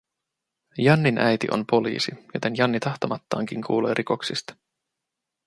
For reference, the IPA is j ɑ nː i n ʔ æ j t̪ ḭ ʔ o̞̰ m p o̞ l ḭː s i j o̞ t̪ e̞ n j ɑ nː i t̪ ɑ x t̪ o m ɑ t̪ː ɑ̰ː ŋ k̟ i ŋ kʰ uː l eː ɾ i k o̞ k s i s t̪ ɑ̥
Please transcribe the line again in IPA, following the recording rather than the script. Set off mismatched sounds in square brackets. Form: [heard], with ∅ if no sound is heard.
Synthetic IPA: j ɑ nː i n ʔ æ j t̪ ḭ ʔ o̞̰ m p o̞ l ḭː s i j o̞ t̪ e̞ n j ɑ nː i t̪ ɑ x t̪ o m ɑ t̪ː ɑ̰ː ŋ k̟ i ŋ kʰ uː l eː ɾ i k o̞ k s i s t̪ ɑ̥